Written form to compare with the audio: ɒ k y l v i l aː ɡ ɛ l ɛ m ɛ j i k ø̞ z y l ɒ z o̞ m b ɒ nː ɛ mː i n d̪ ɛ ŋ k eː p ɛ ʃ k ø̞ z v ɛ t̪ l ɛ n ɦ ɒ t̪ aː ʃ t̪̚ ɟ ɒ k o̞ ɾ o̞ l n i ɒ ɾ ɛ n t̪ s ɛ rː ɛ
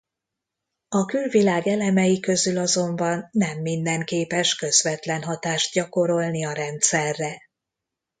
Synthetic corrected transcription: ɒ k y l v i l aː ɡ ɛ l ɛ m ɛ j i k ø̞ z y l ɒ z o̞ m b ɒ nː ɛ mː i n d̪ ɛ ŋ k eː p ɛ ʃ k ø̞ z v ɛ t̪ l ɛ n ɦ ɒ t̪ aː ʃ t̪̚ ɟ ɒ k o̞ ɾ o̞ l n i ɒ ɾ ɛ n t̪ s ɛ rː ɛ